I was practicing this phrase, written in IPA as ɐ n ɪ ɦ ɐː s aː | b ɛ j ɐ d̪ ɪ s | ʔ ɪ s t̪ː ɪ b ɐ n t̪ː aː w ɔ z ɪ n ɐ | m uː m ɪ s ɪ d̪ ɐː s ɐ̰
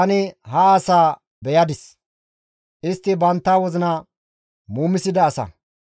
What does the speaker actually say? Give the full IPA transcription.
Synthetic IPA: ɐ n ɪ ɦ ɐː s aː | b ɛ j ɐ d̪ ɪ s | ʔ ɪ s t̪ː ɪ b ɐ n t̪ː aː w ɔ z ɪ n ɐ | m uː m ɪ s ɪ d̪ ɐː s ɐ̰